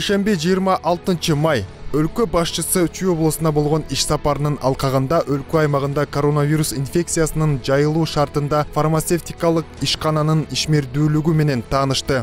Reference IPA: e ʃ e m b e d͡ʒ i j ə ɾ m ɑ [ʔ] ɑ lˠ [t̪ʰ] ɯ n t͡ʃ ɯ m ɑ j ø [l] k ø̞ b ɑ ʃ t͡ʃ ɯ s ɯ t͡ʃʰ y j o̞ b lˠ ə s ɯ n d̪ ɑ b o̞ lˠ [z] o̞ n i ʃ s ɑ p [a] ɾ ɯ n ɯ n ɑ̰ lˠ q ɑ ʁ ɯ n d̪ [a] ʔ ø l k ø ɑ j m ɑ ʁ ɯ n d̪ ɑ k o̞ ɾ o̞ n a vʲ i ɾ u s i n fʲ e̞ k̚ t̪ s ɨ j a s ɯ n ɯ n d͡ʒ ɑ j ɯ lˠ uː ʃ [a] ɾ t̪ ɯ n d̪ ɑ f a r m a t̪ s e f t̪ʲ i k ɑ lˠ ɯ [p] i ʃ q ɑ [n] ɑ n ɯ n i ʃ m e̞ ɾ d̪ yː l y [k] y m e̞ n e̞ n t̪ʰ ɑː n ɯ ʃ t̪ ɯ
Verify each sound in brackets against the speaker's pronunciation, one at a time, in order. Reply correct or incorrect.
correct, incorrect, correct, incorrect, incorrect, incorrect, incorrect, incorrect, correct, incorrect

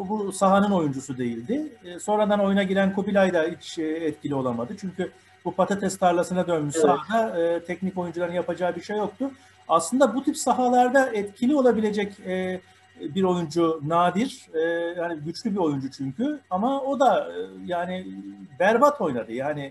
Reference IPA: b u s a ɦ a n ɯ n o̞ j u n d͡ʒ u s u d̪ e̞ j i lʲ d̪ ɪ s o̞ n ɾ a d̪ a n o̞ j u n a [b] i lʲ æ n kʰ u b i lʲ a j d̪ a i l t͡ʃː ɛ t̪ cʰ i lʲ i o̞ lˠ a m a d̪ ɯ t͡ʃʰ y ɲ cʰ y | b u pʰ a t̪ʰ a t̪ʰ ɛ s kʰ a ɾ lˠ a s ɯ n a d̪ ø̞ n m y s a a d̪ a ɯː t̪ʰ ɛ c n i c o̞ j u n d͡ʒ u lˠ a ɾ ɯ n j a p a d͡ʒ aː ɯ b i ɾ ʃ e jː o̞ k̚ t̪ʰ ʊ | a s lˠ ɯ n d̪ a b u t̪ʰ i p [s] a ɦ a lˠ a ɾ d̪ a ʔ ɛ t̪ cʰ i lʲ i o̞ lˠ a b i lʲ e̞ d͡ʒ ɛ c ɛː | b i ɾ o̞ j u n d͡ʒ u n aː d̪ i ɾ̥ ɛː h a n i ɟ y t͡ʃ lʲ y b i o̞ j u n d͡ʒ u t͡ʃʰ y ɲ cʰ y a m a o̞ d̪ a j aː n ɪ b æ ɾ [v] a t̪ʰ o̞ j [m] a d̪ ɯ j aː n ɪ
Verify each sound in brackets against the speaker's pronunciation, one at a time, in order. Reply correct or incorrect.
incorrect, correct, incorrect, incorrect

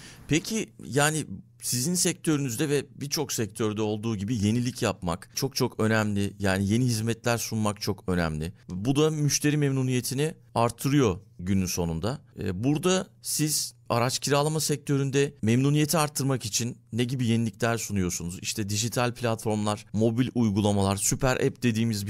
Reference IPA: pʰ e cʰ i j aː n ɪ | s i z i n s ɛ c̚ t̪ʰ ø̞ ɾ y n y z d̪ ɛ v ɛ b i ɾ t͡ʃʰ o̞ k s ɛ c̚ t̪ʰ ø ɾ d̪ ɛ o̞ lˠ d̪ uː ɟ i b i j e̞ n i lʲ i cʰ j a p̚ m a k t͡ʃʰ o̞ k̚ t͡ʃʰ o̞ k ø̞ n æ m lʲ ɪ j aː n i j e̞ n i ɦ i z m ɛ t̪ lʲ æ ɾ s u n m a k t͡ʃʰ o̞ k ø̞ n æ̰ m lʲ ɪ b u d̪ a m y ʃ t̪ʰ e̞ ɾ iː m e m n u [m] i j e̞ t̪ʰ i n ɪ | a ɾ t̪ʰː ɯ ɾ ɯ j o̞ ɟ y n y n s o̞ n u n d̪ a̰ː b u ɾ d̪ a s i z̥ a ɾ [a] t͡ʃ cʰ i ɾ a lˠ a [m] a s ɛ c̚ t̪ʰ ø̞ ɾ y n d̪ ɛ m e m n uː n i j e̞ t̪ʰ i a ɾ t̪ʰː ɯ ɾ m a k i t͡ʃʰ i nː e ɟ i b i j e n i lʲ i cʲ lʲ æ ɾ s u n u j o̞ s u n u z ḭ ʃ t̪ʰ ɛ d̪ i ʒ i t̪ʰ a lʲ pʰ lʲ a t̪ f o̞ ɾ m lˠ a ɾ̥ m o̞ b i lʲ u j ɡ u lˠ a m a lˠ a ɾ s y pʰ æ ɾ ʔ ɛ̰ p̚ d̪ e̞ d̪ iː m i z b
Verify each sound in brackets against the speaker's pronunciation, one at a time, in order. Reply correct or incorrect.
incorrect, correct, correct

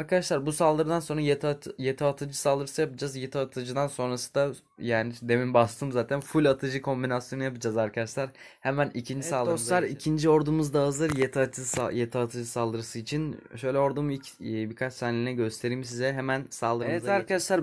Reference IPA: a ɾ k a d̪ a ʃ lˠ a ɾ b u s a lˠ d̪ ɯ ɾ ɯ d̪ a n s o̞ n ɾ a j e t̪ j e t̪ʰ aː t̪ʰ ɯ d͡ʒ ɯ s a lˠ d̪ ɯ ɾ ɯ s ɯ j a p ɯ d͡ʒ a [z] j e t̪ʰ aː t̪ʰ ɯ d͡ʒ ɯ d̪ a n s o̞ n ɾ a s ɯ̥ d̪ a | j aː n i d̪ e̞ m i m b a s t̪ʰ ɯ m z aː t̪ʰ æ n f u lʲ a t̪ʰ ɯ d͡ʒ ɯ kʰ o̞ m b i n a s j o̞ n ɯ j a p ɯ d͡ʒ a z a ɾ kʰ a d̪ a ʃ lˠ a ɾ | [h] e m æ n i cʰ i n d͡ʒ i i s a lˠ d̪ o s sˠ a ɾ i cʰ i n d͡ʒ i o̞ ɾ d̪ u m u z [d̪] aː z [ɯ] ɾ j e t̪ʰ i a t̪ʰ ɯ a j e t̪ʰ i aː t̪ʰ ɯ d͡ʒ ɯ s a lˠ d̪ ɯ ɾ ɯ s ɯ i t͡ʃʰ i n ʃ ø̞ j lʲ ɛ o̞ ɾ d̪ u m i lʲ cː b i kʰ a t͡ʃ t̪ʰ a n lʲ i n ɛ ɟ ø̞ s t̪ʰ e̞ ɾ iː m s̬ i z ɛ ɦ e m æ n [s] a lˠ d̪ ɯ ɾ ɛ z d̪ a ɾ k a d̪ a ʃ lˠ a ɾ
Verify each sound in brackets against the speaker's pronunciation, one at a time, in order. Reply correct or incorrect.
correct, correct, correct, correct, correct

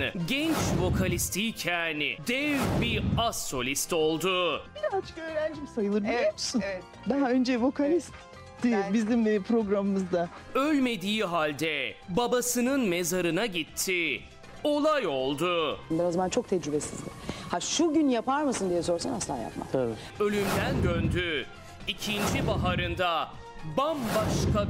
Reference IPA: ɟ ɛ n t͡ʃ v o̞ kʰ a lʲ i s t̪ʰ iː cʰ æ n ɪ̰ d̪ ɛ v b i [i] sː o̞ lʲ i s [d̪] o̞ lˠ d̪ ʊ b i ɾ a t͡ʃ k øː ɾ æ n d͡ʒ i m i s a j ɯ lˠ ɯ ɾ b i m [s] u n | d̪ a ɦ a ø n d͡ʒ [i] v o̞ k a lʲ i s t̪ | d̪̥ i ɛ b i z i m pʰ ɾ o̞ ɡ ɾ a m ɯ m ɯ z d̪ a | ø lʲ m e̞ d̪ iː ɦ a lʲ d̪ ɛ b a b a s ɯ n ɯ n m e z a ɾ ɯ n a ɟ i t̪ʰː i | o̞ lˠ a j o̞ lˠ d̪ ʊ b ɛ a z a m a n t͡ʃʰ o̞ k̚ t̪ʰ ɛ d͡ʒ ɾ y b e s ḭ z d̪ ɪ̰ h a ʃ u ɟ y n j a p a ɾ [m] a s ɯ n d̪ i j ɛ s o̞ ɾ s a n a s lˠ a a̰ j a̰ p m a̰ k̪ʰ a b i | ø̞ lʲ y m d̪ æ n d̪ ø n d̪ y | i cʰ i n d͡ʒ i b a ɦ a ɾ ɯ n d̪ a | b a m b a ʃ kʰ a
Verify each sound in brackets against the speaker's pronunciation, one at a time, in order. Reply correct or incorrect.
incorrect, incorrect, correct, incorrect, correct

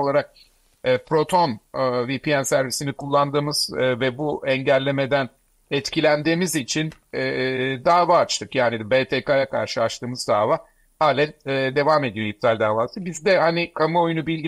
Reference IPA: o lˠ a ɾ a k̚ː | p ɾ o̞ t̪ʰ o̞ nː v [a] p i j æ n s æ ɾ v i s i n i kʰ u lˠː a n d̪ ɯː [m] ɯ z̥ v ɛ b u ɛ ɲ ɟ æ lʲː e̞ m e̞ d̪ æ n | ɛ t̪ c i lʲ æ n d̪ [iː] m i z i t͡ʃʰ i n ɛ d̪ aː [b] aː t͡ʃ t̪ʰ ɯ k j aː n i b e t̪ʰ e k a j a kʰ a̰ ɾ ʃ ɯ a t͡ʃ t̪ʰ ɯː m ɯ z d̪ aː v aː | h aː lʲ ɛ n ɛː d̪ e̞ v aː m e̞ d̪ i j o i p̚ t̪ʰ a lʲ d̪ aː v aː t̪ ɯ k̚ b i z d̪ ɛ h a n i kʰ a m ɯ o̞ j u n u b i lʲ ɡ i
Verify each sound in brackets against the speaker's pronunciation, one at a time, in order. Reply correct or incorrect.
incorrect, correct, correct, incorrect

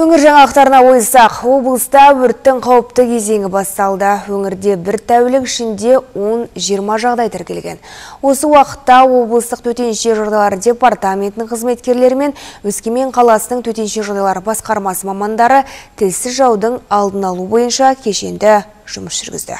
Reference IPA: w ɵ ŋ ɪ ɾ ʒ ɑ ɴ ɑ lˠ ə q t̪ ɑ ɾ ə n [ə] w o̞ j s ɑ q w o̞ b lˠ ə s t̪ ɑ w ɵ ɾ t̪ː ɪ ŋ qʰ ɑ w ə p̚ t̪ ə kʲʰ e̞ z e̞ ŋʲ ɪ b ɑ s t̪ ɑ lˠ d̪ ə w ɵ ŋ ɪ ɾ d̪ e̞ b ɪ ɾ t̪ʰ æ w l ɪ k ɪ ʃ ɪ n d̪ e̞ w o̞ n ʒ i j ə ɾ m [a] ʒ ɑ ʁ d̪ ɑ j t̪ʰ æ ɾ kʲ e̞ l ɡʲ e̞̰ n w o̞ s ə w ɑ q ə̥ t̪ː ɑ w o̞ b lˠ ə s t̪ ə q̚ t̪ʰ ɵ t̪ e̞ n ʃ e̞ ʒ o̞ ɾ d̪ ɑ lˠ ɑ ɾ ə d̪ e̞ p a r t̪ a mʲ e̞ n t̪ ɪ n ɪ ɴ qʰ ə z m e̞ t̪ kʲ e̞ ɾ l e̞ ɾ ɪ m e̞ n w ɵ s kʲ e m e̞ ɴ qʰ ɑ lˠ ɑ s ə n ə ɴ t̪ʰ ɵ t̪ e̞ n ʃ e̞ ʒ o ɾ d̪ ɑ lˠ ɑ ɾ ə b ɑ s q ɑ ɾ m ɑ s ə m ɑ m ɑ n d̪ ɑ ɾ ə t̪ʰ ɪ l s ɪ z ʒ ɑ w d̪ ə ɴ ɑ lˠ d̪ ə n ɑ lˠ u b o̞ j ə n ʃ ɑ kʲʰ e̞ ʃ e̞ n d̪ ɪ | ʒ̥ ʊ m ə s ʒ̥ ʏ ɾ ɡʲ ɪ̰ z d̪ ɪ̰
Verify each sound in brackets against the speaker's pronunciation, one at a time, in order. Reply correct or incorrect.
incorrect, incorrect

